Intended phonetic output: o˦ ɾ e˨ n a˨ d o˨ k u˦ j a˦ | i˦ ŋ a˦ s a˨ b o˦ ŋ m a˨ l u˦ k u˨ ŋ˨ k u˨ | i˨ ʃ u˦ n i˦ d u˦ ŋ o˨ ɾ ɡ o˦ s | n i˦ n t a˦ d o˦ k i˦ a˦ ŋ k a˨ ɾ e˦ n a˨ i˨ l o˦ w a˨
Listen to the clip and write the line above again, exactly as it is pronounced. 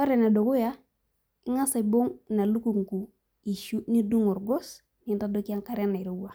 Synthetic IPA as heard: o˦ ɾ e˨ n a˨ d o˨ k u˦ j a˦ | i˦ ŋ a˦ s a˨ b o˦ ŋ n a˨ l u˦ k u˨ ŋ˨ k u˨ | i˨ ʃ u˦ n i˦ d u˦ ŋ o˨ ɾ ɡ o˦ s | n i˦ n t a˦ d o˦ k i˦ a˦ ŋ k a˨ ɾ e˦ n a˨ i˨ ɾ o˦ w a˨